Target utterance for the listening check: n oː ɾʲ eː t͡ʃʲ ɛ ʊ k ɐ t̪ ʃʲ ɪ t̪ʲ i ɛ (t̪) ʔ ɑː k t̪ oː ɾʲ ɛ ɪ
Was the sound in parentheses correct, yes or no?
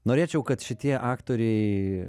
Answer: no